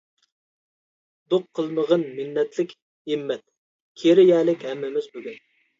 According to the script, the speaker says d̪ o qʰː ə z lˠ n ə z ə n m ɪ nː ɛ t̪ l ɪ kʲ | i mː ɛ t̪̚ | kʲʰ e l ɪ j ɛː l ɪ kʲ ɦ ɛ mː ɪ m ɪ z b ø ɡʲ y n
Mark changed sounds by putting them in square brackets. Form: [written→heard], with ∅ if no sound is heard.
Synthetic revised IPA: d̪ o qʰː ə [z→∅] lˠ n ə [z→ʁ] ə n m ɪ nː ɛ t̪ l ɪ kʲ | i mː ɛ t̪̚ | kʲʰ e [l→ɾ] ɪ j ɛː l ɪ kʲ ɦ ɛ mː ɪ m ɪ z b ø ɡʲ y n